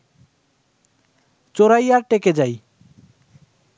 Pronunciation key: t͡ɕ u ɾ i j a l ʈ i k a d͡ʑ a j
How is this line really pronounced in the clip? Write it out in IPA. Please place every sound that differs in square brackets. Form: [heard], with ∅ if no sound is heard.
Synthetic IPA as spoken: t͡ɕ [o] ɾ [a] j a [ɾ] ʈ [e] k [e] d͡ʑ a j